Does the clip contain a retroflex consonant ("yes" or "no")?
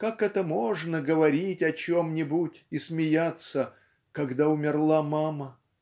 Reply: yes